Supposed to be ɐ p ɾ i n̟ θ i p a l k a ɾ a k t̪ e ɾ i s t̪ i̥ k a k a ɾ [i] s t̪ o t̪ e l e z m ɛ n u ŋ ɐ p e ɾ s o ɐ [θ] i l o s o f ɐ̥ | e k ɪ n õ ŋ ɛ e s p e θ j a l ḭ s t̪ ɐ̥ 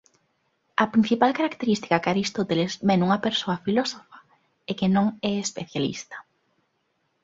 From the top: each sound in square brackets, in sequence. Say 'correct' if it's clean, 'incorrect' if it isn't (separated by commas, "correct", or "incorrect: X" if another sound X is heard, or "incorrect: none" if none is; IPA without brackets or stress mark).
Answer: correct, incorrect: f